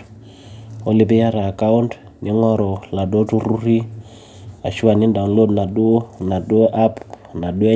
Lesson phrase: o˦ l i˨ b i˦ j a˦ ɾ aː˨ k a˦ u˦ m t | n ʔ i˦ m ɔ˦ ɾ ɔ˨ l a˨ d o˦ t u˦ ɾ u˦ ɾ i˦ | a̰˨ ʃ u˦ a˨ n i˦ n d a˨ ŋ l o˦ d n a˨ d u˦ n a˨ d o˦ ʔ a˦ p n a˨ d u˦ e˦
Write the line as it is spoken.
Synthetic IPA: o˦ l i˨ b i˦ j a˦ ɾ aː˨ k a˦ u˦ n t | n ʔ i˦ ŋ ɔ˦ ɾ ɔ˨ l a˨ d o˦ t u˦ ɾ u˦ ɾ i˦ | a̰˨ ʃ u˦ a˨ n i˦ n d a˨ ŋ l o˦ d n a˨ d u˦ n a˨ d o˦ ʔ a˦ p n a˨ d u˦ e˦